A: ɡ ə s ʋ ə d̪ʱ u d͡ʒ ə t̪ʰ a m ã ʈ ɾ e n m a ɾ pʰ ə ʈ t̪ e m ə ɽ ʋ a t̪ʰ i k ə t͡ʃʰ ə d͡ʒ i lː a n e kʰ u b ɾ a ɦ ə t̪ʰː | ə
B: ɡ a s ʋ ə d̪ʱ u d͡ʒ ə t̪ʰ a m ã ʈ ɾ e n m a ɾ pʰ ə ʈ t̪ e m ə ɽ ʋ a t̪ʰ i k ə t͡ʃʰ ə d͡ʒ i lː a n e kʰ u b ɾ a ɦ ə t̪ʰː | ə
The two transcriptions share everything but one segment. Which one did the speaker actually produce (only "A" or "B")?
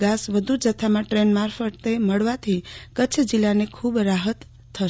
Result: B